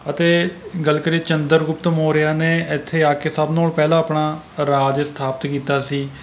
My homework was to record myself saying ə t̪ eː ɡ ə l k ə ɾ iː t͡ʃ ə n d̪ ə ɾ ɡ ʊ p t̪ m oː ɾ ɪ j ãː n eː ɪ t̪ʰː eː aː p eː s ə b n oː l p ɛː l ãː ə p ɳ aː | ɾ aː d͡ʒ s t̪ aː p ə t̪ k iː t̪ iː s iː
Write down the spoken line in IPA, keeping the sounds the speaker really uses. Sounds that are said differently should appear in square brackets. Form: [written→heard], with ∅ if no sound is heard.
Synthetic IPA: ə t̪ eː ɡ ə l k ə ɾ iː t͡ʃ ə n d̪ ə ɾ ɡ ʊ p t̪ m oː ɾ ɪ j [ãː→aː] n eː ɪ t̪ʰː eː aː [p→k] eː s ə b n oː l p ɛː l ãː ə p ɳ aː | ɾ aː d͡ʒ s [t̪→t̪ʰ] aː p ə t̪ k iː t̪ [iː→aː] s iː